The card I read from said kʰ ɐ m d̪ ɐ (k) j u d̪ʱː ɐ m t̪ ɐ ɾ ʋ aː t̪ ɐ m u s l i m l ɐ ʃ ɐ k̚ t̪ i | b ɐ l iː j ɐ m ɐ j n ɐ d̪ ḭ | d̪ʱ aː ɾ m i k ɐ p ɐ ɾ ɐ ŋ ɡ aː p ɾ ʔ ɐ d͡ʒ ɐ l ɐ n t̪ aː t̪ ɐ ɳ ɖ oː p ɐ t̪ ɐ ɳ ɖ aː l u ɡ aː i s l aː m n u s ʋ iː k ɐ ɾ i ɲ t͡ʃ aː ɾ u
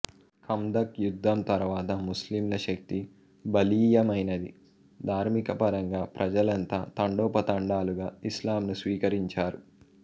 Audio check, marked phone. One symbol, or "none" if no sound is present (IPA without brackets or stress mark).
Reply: k